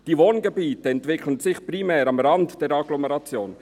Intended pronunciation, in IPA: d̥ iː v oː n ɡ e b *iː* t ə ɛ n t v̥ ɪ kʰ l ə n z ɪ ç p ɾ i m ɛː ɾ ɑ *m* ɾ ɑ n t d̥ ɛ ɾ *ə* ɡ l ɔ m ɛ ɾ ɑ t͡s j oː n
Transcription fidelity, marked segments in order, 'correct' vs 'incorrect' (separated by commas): correct, correct, incorrect